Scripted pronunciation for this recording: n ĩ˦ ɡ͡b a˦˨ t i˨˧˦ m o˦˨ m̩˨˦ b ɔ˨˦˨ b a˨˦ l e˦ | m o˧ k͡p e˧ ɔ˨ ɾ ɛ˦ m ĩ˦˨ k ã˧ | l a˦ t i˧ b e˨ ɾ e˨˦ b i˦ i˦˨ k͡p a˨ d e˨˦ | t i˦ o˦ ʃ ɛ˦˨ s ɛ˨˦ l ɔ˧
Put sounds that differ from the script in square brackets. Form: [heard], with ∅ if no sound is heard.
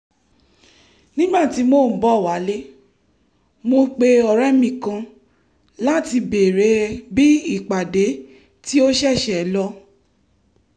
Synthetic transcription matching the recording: n ĩ˦ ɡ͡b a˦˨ t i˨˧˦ m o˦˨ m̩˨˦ b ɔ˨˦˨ [w] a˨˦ l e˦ | m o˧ k͡p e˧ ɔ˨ ɾ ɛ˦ m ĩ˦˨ k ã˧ | l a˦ t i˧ b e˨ ɾ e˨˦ b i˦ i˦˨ k͡p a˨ d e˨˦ | t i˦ o˦ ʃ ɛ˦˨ [ʃ] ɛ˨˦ l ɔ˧